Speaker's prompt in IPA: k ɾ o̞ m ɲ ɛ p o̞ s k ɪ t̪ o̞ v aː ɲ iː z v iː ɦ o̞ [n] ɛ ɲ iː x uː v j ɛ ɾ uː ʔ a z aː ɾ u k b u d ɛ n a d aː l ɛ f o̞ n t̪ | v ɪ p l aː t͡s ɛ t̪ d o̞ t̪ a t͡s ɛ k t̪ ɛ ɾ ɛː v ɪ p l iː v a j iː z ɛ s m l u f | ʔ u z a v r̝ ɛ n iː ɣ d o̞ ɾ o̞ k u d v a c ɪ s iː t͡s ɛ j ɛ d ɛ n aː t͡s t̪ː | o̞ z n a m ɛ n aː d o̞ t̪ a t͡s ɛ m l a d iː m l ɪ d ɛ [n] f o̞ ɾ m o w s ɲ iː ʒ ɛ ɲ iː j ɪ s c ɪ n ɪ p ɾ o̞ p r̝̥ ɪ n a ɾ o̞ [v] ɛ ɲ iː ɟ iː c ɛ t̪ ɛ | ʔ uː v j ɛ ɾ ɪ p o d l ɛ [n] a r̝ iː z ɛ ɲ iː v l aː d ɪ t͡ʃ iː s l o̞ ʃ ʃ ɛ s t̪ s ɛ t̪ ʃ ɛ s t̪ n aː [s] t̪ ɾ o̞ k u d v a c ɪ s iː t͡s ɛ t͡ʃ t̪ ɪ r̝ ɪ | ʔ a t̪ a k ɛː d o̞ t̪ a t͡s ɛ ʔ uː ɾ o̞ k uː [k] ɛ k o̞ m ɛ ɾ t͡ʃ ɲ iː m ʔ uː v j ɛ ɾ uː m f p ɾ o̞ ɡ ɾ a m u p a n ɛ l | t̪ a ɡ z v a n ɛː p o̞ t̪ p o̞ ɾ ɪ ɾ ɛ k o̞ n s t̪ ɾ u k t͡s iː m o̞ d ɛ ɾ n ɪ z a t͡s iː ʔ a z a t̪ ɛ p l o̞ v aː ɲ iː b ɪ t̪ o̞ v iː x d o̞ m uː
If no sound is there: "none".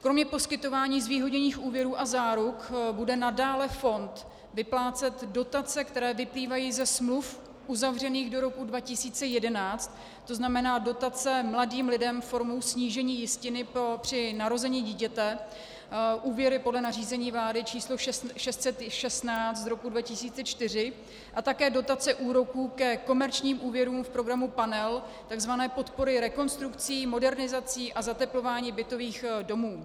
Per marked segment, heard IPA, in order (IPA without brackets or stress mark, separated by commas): ɲ, m, z, n, t͡s, k